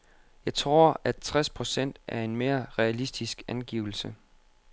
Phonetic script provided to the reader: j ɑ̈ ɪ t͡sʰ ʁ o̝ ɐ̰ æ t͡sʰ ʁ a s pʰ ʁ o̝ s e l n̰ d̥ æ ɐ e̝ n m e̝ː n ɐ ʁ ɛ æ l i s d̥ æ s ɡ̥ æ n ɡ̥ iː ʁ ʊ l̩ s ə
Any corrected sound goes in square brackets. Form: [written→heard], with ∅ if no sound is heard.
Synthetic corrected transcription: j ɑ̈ ɪ t͡sʰ ʁ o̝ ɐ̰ æ t͡sʰ ʁ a s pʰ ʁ o̝ s e [l→∅] n̰ d̥ æ ɐ e̝ n m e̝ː [n→∅] ɐ ʁ ɛ æ l i s d̥ [æ→i] s ɡ̥ æ n ɡ̥ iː [ʁ→∅] ʊ l̩ s ə